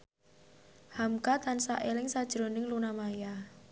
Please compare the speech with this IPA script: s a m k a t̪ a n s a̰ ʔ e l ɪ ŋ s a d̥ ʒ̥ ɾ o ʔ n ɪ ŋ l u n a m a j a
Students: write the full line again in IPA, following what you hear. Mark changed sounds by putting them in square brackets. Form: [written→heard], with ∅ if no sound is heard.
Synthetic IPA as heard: [s→h] a m k a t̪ a n s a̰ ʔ e l ɪ ŋ s a d̥ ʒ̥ ɾ o [ʔ→∅] n ɪ ŋ l u n a m a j a